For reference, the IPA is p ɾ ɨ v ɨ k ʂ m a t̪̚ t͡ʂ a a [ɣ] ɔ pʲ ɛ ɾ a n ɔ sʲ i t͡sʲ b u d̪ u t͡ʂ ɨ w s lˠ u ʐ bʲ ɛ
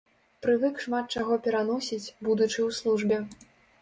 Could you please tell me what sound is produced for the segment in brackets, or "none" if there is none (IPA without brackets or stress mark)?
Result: ɣ